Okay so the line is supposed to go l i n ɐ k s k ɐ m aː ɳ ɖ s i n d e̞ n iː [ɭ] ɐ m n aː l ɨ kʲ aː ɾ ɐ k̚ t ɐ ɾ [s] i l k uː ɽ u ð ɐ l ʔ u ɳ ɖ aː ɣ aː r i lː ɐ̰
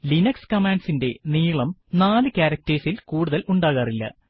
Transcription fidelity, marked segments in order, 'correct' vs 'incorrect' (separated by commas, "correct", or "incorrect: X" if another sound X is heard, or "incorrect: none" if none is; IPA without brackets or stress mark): correct, correct